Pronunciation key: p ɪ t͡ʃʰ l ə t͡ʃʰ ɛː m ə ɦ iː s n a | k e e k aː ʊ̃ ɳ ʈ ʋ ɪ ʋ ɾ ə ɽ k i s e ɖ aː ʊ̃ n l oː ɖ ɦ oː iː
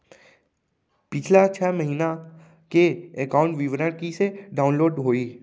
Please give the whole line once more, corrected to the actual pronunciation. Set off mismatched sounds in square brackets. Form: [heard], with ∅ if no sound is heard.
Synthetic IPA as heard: p ɪ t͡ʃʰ l [a] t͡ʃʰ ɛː m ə ɦ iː [∅] n a | k e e k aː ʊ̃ ɳ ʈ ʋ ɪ ʋ ɾ ə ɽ k i s e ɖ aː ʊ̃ n l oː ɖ ɦ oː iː